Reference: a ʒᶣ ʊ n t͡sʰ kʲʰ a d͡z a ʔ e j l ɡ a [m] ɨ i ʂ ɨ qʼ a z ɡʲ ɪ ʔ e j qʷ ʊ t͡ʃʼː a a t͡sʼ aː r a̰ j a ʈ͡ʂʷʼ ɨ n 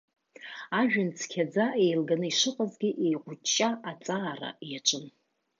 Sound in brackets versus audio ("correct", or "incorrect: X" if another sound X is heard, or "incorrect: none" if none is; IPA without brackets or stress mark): incorrect: n